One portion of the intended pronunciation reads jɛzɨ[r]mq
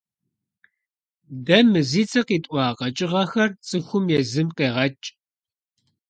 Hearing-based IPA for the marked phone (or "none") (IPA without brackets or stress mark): none